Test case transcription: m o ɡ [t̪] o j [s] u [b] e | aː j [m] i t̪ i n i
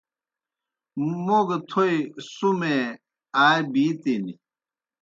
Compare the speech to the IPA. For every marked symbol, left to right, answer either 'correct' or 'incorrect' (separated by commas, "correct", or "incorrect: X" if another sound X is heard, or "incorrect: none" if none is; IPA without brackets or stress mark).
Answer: incorrect: t̪ʰ, correct, incorrect: m, incorrect: b